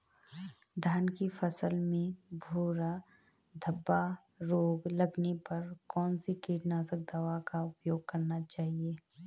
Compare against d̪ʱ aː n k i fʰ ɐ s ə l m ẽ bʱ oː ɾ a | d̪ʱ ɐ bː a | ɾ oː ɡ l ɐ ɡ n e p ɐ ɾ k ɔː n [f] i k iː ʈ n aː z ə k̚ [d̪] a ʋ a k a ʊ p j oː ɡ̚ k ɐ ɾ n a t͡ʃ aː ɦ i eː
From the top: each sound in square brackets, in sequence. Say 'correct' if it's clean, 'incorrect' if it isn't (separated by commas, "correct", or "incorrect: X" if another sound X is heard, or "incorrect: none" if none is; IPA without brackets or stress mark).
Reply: incorrect: s, correct